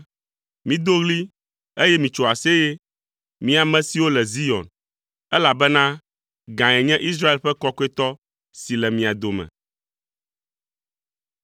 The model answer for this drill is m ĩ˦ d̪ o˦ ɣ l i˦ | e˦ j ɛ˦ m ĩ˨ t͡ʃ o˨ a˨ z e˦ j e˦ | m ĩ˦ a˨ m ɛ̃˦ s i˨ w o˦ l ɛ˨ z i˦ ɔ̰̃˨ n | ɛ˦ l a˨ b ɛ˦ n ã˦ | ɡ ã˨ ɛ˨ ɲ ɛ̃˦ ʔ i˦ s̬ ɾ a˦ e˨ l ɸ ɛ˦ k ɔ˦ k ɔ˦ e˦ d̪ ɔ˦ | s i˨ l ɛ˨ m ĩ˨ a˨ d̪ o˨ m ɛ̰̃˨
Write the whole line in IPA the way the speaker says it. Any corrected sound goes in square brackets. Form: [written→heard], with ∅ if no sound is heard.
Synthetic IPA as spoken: m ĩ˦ d̪ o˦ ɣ l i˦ | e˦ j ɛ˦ m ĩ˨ t͡ʃ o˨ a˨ [z→s] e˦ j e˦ | m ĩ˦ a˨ m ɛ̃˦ s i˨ w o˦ l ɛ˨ z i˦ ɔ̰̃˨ n | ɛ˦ l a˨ b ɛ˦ n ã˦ | ɡ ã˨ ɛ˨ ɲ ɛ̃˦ ʔ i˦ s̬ ɾ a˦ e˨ l ɸ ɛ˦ k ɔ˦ k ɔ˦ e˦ [d̪→t̪] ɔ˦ | s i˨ l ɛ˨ m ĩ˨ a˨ d̪ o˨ m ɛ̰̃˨